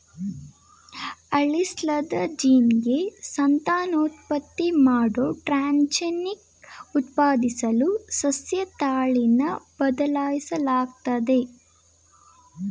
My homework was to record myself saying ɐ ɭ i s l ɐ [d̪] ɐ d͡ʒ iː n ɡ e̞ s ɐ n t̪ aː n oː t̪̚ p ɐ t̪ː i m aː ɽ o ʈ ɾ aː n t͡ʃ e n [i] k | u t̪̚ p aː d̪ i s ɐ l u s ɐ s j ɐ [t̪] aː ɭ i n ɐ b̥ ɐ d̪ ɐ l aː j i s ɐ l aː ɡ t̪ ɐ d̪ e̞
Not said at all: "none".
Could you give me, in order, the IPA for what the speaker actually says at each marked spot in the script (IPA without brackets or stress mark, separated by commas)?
d̪, i, t̪